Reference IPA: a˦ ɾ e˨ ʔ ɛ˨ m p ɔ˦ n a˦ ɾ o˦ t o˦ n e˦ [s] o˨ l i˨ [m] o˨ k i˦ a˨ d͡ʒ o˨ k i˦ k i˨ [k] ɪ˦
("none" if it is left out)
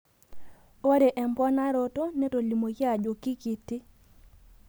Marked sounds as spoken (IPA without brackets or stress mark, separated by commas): t, m, t